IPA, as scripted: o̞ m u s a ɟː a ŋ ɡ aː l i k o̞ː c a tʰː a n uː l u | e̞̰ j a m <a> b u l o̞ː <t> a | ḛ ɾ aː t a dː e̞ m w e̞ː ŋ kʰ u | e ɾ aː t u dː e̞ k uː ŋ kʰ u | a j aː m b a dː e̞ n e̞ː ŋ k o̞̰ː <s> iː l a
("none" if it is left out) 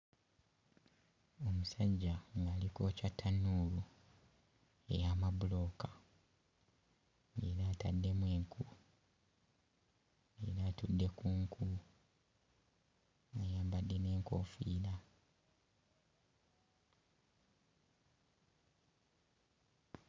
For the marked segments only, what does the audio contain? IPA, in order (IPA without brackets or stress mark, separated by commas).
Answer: a, k, f